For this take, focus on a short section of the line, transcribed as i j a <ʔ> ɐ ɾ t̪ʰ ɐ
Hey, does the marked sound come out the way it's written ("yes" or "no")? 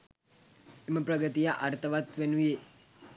yes